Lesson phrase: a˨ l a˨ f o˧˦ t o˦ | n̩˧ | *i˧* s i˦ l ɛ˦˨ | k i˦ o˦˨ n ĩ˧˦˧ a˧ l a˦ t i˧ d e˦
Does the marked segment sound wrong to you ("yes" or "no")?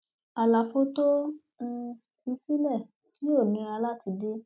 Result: no